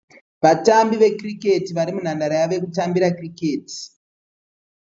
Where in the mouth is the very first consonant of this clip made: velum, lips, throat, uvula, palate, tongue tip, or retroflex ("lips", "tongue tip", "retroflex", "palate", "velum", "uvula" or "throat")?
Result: lips